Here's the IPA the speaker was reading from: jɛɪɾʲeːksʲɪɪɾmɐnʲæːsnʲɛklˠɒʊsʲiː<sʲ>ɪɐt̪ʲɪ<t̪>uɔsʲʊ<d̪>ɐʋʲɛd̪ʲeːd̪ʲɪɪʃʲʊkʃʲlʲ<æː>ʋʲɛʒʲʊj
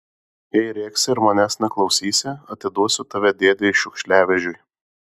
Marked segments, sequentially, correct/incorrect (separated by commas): correct, incorrect, incorrect, correct